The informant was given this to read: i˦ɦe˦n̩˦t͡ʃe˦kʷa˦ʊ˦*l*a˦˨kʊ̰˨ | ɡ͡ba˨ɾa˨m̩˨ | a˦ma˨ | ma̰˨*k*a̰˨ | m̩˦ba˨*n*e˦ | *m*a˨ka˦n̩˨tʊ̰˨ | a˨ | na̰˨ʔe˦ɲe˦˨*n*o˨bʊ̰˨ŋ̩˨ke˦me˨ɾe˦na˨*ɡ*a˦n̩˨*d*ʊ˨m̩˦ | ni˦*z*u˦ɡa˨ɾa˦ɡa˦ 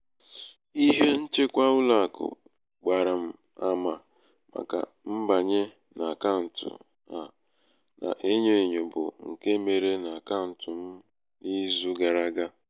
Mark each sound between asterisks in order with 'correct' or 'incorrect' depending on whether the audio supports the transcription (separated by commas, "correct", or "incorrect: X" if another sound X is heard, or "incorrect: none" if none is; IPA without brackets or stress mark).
correct, correct, incorrect: ɲ, incorrect: n, incorrect: ɲ, incorrect: k, incorrect: t, correct